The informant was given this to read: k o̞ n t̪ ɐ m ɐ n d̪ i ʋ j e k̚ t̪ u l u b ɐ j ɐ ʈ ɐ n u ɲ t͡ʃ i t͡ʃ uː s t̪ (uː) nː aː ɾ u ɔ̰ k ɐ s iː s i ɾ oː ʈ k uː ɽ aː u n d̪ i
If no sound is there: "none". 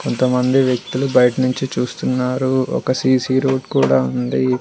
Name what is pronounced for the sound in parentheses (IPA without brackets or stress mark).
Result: u